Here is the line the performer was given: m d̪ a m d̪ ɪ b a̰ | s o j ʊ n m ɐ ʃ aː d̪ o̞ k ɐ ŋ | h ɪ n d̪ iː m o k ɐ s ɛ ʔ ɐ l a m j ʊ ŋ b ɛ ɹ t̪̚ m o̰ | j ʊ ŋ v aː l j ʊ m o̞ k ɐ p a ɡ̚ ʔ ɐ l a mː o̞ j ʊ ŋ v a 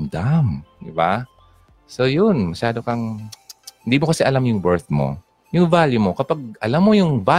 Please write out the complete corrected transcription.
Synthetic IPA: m d̪ a m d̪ ɪ b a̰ | s o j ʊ n m ɐ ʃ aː d̪ o̞ k ɐ ŋ | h ɪ n d̪ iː m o k ɐ s ɛ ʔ ɐ l a m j ʊ ŋ b ɛ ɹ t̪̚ m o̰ | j ʊ ŋ v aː l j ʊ m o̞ k ɐ p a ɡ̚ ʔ ɐ l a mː o̞ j ʊ ŋ v a